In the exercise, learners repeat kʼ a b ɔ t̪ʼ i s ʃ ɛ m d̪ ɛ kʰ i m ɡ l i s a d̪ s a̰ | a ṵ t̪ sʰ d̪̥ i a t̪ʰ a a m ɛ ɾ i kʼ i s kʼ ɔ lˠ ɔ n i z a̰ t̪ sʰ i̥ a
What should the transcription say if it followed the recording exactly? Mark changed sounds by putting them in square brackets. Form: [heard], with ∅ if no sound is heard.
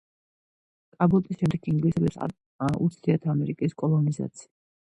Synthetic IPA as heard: kʼ a b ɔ t̪ʼ i s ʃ ɛ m d̪ ɛ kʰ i [ŋ] ɡ l i s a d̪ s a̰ | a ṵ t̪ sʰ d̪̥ i a t̪ʰ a a m ɛ ɾ i kʼ i s kʼ ɔ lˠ ɔ n i z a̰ t̪ sʰ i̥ a

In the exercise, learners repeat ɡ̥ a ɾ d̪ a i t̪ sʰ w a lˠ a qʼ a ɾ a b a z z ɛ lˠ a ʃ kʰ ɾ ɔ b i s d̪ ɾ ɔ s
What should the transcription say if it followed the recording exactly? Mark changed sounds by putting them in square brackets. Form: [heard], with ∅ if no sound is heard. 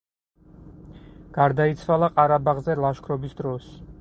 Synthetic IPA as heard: ɡ̥ a ɾ d̪ a i t̪ sʰ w a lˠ a qʼ a ɾ a b a [ʁ] z ɛ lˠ a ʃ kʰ ɾ ɔ b i s d̪ ɾ ɔ s

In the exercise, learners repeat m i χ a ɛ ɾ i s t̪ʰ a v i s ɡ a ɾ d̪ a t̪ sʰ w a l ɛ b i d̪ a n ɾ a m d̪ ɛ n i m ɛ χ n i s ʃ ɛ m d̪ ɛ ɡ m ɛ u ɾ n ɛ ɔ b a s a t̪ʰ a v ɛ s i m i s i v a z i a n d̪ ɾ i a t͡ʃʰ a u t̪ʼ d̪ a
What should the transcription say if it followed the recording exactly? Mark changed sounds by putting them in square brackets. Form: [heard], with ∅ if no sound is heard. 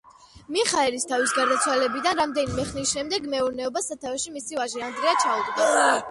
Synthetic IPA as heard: m i χ a ɛ ɾ i s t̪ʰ a v i s ɡ a ɾ d̪ a t̪ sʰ w a l ɛ b i d̪ a n ɾ a m d̪ ɛ n i m ɛ χ n i s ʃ ɛ m d̪ ɛ ɡ m ɛ u ɾ n ɛ ɔ b a s a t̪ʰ a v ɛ [ʃ] i m i s i v a [ʒ] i a n d̪ ɾ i a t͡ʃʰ a u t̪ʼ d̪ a

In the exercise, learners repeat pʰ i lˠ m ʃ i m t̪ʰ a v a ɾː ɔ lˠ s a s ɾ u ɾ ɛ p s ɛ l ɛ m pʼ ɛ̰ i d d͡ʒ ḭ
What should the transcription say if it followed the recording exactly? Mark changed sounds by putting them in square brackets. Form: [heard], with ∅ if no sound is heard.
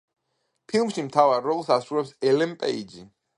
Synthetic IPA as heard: pʰ i lˠ m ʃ i m t̪ʰ a v a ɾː ɔ lˠ s a s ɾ u ɾ ɛ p s ɛ l ɛ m pʼ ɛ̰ i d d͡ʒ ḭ

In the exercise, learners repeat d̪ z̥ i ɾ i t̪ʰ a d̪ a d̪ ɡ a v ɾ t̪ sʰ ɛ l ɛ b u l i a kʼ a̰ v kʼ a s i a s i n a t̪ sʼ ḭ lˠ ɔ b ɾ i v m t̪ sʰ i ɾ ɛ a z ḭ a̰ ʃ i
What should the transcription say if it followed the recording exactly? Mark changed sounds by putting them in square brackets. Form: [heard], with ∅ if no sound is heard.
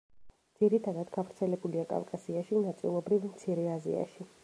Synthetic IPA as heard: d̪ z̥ i ɾ i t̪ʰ a d̪ a d̪ ɡ a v ɾ t̪ sʰ ɛ l ɛ b u l i a kʼ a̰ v kʼ a s i a [ʃ] i n a t̪ sʼ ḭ lˠ ɔ b ɾ i v m t̪ sʰ i ɾ ɛ a z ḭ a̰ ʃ i

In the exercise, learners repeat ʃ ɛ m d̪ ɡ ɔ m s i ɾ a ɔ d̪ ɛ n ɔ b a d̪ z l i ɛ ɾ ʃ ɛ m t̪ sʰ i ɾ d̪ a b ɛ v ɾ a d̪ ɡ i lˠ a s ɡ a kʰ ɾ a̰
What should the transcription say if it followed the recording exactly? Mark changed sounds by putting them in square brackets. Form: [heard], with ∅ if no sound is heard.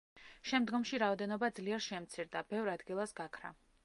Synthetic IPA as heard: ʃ ɛ m d̪ ɡ ɔ m [ʃ] i ɾ a ɔ d̪ ɛ n ɔ b a d̪ z l i ɛ ɾ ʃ ɛ m t̪ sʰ i ɾ d̪ a b ɛ v ɾ a d̪ ɡ i lˠ a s ɡ a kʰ ɾ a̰

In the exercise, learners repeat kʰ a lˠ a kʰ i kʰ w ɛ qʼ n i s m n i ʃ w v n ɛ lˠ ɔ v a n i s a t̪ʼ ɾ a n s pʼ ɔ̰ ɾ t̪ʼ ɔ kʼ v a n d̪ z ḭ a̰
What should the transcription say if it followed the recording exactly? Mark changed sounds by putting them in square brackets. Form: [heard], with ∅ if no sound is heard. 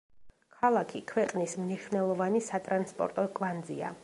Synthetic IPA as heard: kʰ a lˠ a kʰ i kʰ w ɛ qʼ n i s m n i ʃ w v n ɛ lˠ ɔ v a n i s a t̪ʼ ɾ a n s pʼ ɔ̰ ɾ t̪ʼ ɔ kʼ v a n d̪ z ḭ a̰

